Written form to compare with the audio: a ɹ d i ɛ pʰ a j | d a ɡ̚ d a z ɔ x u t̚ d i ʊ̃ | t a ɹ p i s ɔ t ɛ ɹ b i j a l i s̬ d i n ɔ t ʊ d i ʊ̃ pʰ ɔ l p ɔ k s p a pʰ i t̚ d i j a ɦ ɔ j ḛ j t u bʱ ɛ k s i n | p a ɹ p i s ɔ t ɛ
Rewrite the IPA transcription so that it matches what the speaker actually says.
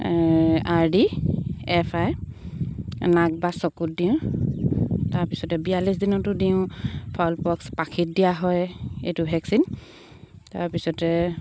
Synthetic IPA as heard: a ɹ d i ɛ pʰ a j | n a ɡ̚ b a s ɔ k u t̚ d i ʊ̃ | t a ɹ p i s ɔ t ɛ b i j a l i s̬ d i n ɔ t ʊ d i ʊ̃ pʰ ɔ l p ɔ k s p a kʰ i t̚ d i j a ɦ ɔ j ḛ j t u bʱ ɛ k s i n | t a ɹ p i s ɔ t ɛ